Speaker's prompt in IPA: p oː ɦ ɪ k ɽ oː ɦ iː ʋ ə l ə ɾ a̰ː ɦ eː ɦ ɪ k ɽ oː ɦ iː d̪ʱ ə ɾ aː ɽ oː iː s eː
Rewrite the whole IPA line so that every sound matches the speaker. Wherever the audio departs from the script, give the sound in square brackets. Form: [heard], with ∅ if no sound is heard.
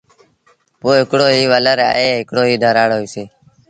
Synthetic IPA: p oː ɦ ɪ k ɽ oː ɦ iː ʋ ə l ə ɾ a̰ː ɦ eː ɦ ɪ k ɽ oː ɦ iː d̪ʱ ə ɾ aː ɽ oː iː s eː